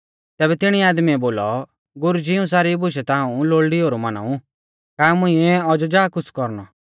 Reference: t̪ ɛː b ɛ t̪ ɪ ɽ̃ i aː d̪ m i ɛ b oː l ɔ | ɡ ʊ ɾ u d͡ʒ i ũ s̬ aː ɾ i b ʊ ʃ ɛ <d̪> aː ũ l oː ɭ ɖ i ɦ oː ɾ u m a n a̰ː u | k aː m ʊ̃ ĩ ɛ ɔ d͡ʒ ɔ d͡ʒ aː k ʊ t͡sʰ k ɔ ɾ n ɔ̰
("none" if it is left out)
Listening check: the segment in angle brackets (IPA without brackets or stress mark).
t̪